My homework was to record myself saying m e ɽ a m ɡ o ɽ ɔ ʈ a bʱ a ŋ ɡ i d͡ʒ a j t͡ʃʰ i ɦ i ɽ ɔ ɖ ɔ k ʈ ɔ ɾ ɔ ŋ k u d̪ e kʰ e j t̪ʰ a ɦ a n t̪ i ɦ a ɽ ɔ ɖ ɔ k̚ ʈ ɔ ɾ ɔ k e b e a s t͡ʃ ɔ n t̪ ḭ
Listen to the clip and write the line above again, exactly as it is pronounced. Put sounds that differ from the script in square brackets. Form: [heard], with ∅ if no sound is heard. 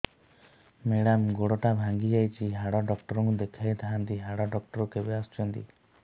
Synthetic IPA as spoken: m e ɽ a m ɡ o ɽ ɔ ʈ a bʱ a ŋ ɡ i d͡ʒ a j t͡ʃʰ i ɦ [a] ɽ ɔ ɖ ɔ k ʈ ɔ ɾ ɔ ŋ k u d̪ e kʰ [a] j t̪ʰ a ɦ a n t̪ i ɦ a ɽ ɔ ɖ ɔ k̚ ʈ ɔ ɾ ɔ k e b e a s t͡ʃ ɔ n t̪ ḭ